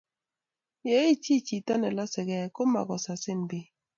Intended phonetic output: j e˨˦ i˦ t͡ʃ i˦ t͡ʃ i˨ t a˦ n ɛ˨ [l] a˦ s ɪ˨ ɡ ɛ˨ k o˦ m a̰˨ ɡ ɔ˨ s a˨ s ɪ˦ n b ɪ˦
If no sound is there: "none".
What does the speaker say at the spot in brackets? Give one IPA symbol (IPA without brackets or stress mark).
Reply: l